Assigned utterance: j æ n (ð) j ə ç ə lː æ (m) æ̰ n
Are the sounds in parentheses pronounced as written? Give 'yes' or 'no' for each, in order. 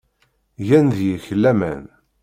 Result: yes, yes

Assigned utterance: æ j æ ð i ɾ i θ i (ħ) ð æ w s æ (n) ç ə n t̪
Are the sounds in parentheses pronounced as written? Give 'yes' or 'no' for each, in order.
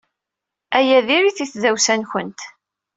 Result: no, yes

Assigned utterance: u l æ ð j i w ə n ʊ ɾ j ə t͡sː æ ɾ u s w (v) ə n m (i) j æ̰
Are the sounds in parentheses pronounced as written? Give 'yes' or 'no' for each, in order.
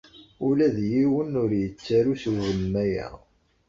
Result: yes, no

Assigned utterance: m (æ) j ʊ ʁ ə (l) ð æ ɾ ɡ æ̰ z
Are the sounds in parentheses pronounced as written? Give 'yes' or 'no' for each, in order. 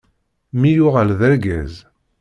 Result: no, yes

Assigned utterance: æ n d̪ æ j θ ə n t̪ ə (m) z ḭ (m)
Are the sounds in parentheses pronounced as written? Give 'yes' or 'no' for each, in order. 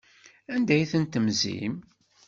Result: yes, yes

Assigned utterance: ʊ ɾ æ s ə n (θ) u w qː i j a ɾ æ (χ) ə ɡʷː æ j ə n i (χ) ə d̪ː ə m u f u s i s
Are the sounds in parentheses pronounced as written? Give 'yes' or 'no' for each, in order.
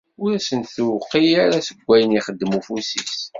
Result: yes, no, yes

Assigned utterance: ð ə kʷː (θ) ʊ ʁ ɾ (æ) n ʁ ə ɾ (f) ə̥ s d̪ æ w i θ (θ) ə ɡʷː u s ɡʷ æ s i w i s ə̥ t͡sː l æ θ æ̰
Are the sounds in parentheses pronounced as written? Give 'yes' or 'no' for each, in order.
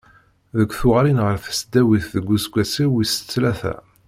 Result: yes, no, yes, no

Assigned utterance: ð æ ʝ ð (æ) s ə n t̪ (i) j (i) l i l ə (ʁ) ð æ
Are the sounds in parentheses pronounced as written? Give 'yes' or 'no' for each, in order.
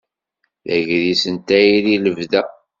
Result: no, no, yes, no

